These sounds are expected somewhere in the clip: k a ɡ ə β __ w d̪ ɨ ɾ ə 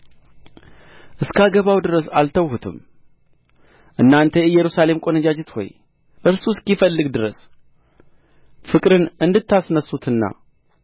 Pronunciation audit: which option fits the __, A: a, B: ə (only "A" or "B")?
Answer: A